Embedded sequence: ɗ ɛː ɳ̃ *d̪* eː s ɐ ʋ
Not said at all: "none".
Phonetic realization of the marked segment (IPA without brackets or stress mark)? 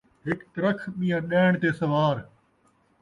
t̪